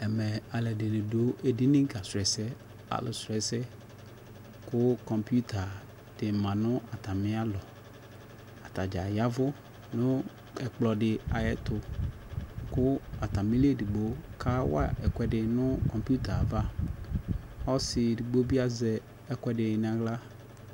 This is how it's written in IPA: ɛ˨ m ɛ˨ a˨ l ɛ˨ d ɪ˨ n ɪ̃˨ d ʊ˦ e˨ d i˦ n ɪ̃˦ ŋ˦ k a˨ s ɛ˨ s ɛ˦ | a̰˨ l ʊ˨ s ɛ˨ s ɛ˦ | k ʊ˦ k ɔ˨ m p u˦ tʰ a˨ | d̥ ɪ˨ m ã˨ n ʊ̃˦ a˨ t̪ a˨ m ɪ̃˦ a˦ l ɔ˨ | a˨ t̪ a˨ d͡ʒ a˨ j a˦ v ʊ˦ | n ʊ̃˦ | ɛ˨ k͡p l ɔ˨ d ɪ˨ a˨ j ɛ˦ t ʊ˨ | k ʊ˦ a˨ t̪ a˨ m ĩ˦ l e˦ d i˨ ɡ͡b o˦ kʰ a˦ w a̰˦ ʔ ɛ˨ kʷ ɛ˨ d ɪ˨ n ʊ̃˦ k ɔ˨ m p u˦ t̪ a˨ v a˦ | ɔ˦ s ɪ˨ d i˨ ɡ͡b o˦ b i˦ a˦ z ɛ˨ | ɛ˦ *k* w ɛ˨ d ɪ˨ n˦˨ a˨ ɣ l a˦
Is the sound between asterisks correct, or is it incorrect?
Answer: correct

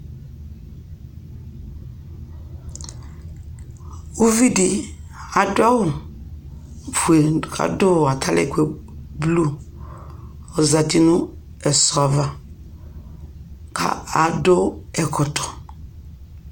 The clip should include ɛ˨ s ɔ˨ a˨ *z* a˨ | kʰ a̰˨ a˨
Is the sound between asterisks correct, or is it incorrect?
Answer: incorrect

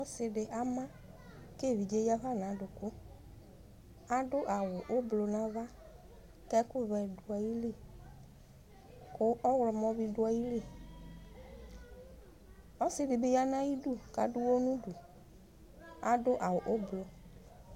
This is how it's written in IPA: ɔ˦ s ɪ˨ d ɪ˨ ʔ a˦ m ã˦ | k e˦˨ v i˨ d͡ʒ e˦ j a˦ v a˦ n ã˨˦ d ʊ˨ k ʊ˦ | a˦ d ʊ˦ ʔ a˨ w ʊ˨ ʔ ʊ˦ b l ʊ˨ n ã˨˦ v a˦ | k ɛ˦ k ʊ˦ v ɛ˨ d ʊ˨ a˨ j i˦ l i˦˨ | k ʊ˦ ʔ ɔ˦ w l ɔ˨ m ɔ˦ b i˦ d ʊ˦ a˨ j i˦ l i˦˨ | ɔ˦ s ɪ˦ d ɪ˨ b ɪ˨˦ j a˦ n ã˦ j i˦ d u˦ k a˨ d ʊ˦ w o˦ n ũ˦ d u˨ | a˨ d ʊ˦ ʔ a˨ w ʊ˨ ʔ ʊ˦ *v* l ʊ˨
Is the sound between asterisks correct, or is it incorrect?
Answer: incorrect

